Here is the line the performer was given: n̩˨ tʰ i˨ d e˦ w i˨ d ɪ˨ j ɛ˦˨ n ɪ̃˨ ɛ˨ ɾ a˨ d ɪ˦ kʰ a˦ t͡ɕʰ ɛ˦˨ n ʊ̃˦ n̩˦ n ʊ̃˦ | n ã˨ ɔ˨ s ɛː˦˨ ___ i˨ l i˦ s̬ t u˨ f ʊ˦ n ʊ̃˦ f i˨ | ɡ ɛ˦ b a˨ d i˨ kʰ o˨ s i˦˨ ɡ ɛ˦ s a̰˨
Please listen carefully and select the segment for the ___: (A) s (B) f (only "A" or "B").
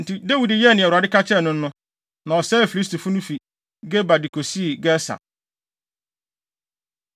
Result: B